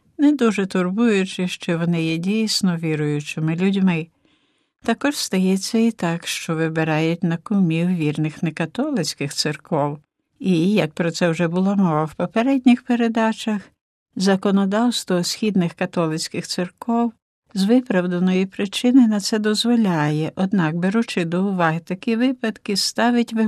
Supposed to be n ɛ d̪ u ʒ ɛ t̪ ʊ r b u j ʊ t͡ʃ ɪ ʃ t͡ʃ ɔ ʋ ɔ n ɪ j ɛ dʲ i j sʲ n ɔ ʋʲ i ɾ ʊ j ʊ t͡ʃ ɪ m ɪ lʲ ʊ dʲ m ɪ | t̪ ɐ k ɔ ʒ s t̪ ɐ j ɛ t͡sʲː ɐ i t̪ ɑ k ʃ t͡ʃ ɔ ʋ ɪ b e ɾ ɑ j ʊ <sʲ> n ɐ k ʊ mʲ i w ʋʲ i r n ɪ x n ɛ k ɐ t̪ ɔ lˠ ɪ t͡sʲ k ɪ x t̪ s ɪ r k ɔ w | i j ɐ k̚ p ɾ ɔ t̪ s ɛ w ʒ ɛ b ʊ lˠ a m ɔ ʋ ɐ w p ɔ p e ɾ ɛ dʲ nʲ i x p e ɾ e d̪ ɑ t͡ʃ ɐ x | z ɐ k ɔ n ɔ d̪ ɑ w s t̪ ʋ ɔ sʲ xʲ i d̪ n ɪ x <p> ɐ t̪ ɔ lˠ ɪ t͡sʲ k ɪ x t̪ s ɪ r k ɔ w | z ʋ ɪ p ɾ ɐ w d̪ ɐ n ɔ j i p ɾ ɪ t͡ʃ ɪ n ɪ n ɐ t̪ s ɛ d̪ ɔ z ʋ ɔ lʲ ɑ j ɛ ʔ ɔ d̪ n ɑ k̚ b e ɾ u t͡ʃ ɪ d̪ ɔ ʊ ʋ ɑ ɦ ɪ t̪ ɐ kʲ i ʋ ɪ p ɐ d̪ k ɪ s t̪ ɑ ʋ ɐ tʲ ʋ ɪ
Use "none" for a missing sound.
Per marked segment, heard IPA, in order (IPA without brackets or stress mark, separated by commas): tʲ, k